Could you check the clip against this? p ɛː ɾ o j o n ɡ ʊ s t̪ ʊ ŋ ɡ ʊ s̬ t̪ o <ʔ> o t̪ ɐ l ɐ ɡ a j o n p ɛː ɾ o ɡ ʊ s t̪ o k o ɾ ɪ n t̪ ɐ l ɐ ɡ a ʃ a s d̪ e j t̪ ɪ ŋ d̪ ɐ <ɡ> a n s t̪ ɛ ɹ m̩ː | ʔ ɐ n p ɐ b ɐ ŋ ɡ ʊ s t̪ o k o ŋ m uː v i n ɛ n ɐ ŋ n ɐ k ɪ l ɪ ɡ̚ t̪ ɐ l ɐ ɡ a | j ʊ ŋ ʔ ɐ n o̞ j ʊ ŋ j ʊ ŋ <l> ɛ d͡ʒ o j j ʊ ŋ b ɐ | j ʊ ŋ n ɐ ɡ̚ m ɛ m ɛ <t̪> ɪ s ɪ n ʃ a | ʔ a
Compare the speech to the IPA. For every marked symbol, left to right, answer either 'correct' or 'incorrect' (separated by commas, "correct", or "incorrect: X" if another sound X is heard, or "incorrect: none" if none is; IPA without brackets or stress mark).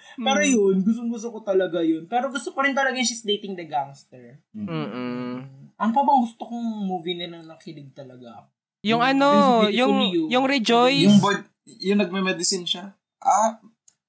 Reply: incorrect: k, correct, incorrect: ɾ, incorrect: d̪